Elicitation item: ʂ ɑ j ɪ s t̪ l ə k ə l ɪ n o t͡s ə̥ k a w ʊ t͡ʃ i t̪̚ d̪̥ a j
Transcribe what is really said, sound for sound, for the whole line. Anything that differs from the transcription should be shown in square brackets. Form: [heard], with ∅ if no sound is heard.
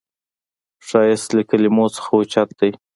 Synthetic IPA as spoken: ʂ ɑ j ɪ s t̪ l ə k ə l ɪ [m] o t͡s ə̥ [x] a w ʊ t͡ʃ [a] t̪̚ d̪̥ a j